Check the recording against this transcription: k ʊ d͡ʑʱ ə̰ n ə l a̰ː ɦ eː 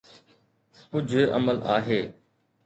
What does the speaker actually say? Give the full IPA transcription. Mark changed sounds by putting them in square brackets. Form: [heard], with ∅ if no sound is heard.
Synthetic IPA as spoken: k ʊ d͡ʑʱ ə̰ [m] ə l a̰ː ɦ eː

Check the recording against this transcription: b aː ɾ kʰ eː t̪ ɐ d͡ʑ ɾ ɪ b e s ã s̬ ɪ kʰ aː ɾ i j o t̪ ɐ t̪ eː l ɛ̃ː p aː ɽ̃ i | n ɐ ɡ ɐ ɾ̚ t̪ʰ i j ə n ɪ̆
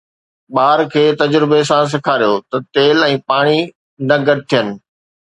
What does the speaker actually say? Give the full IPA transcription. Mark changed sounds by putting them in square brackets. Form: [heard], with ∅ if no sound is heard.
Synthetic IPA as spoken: [ɓ] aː ɾ kʰ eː t̪ ɐ d͡ʑ ɾ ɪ b e s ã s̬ ɪ kʰ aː ɾ i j o t̪ ɐ t̪ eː l ɛ̃ː p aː ɽ̃ i | n ɐ ɡ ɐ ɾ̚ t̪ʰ i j ə n ɪ̆

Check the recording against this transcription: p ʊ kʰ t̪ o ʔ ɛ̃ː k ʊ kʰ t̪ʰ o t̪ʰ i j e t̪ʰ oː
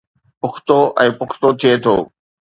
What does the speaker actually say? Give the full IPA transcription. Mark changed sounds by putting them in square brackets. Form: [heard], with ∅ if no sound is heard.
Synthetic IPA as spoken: p ʊ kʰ t̪ o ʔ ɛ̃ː [p] ʊ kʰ [t̪] o t̪ʰ i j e t̪ʰ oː

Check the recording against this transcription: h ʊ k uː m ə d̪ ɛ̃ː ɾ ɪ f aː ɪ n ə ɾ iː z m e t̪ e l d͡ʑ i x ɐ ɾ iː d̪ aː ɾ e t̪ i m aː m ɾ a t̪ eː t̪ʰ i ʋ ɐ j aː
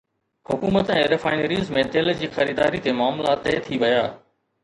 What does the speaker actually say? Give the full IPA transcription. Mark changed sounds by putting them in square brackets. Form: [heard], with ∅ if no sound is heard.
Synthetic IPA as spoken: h ʊ k uː m ə [t̪] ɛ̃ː ɾ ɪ f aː ɪ n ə ɾ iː z m [ẽ] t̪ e l d͡ʑ [iː] x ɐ ɾ iː d̪ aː ɾ [i] t̪ [e] m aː m [l] a t̪ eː t̪ʰ i ʋ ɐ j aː

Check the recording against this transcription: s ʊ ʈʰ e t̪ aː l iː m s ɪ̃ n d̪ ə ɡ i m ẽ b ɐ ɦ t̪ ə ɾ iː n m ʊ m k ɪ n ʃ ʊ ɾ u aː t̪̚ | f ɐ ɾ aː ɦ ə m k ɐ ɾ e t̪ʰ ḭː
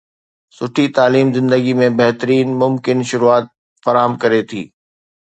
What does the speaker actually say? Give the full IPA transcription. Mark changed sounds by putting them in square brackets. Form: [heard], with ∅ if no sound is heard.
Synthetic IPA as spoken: s ʊ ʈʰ [i] t̪ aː l iː m [z] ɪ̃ n d̪ ə ɡ i m ẽ b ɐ ɦ t̪ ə ɾ iː n m ʊ m k ɪ n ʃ ʊ ɾ u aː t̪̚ | f ɐ ɾ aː ɦ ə m k ɐ ɾ e t̪ʰ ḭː

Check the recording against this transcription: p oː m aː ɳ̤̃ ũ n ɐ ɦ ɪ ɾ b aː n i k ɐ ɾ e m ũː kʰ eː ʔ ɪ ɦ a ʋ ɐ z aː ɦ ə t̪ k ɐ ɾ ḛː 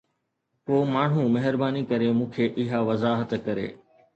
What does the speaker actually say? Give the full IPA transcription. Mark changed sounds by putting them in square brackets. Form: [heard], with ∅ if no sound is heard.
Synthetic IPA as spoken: p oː m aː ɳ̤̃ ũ [m] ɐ ɦ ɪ ɾ b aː n i k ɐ ɾ e m ũː kʰ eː ʔ ɪ ɦ a ʋ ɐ z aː ɦ ə t̪ k ɐ ɾ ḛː

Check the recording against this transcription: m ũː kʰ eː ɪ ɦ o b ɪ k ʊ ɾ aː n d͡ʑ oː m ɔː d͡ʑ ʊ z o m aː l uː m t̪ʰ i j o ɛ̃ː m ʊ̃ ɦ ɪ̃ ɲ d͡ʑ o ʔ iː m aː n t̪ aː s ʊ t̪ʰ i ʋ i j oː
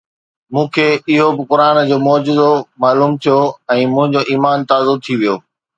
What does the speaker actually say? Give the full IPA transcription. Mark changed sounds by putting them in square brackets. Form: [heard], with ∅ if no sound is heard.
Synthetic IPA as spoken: m ũː kʰ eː ɪ ɦ o b ɪ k ʊ ɾ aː n d͡ʑ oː m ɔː d͡ʑ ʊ z o m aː l uː m t̪ʰ i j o ɛ̃ː m ʊ̃ ɦ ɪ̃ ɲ d͡ʑ o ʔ iː m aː n t̪ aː [z] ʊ t̪ʰ i ʋ i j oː

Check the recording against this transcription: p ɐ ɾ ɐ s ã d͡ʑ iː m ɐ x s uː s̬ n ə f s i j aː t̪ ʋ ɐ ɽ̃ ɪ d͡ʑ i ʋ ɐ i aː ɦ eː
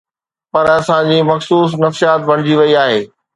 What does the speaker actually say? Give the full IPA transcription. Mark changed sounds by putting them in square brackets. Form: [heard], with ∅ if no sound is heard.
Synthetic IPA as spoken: p ɐ ɾ ɐ s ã d͡ʑ iː m ɐ x s uː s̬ n [ɐ] f s i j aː t̪ ʋ ɐ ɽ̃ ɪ d͡ʑ i ʋ ɐ i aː ɦ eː

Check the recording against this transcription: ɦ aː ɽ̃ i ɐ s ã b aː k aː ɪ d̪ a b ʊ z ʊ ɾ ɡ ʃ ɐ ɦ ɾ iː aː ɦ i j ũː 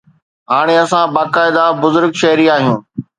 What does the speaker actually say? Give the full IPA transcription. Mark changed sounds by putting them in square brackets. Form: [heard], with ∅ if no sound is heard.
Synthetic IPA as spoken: ɦ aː ɽ̃ [e] ɐ s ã b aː k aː ɪ d̪ a b ʊ z ʊ ɾ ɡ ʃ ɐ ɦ ɾ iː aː ɦ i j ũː

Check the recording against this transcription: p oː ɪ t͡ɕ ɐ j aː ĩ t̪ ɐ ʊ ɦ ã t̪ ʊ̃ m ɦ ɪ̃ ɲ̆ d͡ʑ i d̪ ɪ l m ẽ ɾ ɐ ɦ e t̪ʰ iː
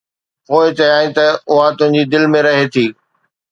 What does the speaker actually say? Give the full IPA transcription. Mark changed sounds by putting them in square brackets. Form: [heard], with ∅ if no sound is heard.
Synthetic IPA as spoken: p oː ɪ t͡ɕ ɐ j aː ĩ t̪ ɐ ʊ ɦ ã t̪ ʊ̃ [∅] ɦ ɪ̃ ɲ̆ d͡ʑ i d̪ ɪ l m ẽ ɾ ɐ ɦ e t̪ʰ iː

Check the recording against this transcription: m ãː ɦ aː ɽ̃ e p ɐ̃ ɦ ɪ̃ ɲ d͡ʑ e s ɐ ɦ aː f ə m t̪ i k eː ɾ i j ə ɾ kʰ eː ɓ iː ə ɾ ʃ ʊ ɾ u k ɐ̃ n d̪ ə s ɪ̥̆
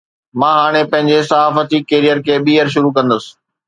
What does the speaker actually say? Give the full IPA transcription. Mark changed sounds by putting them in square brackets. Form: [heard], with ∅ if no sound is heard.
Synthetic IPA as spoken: m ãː ɦ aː ɽ̃ e p ɐ̃ ɦ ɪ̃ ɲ d͡ʑ e s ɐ ɦ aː f ə [∅] t̪ i k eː ɾ i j ə ɾ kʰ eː ɓ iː ə ɾ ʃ ʊ ɾ u k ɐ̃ n d̪ ə s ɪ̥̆

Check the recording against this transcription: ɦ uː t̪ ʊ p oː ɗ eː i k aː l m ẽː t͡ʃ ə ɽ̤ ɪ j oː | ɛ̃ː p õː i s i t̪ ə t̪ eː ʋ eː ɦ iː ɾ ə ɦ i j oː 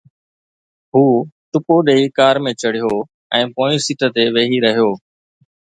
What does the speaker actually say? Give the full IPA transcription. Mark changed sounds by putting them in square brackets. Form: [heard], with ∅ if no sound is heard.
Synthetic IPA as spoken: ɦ uː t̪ ʊ p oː ɗ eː i k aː [ɾ] m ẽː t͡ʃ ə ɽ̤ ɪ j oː | ɛ̃ː p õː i s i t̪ ə t̪ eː ʋ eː ɦ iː ɾ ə ɦ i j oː

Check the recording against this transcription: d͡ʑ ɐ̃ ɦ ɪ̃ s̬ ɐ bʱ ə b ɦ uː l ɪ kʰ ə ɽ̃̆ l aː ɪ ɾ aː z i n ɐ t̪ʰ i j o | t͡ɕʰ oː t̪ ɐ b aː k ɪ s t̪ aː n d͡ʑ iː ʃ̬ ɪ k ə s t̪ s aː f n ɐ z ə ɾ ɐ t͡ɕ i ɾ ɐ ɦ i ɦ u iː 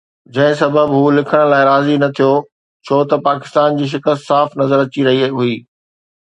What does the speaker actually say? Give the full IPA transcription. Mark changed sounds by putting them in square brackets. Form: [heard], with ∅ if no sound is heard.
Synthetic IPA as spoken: d͡ʑ ɐ̃ ɦ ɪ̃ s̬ ɐ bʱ ə b ɦ uː l ɪ kʰ ə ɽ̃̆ l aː ɪ ɾ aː z i n ɐ t̪ʰ i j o | t͡ɕʰ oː t̪ ɐ [p] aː k ɪ s t̪ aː n d͡ʑ iː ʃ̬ ɪ k ə s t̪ s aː f n ɐ z ə ɾ ɐ t͡ɕ i ɾ ɐ ɦ i ɦ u iː

